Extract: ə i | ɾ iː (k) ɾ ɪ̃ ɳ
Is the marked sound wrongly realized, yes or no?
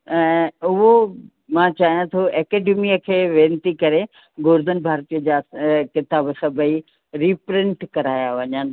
yes